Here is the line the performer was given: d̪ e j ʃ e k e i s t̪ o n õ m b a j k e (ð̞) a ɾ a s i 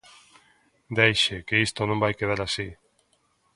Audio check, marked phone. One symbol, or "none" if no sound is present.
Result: ð̞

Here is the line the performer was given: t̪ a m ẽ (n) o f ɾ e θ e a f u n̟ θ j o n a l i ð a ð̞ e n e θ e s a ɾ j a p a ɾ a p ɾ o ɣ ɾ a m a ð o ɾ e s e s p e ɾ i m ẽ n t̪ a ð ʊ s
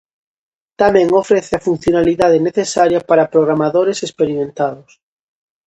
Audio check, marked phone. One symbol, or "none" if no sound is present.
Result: ŋ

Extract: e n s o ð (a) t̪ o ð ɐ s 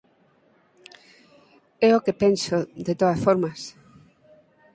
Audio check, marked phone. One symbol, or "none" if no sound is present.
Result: e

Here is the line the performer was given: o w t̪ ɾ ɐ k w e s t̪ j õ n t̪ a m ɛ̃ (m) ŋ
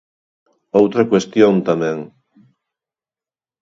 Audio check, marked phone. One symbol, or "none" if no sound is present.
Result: none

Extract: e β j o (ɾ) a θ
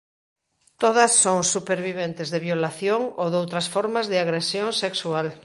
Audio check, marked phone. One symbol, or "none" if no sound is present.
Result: l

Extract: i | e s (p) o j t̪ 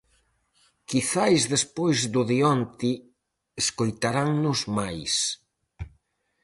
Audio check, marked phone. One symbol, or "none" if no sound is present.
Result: k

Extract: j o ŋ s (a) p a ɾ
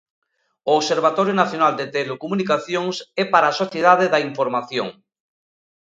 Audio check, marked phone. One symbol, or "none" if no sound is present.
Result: ɛ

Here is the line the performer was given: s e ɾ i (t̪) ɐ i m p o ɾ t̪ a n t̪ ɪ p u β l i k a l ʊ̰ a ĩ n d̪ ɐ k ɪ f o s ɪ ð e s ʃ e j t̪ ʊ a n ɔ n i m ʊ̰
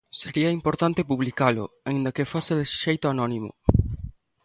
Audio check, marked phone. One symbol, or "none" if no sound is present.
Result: none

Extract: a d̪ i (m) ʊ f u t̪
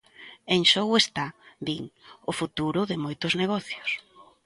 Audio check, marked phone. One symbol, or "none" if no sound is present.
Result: ŋ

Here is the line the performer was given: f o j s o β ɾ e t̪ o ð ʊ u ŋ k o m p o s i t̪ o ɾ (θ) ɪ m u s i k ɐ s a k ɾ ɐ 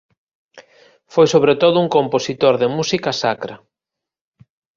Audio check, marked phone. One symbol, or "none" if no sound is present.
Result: ð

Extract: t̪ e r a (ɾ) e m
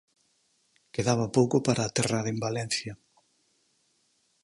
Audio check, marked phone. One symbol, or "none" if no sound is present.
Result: ɾ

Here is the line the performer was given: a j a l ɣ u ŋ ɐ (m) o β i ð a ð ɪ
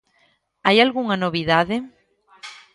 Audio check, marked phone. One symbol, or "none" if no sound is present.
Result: n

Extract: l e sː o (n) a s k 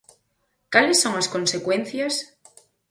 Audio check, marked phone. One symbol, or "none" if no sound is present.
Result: ŋ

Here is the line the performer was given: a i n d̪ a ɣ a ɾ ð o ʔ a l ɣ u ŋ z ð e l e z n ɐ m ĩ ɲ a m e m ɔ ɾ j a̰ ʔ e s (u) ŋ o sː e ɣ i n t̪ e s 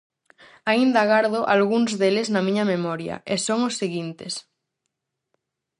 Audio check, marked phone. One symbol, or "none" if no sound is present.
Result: o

